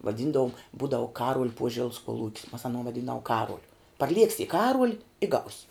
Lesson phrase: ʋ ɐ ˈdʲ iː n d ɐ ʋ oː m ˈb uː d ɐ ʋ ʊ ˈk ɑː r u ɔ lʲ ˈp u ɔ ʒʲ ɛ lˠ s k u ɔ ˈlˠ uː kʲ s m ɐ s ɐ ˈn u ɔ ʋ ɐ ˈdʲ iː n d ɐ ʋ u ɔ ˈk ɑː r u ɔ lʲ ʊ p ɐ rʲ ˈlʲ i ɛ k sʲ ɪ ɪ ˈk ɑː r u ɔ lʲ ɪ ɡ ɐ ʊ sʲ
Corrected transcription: ʋ ɐ ˈdʲ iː n d ɐ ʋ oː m ˈb uː d ɐ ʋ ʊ ˈk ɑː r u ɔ lʲ ˈp u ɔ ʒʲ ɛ lˠ s k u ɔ ˈlˠ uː kʲ s m ɐ s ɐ ˈn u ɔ ʋ ɐ ˈdʲ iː n d ɐ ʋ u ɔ ˈk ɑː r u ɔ lʲ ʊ p ɐ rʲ ˈlʲ i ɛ k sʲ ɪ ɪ ˈk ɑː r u ɔ lʲ ɪ ɡ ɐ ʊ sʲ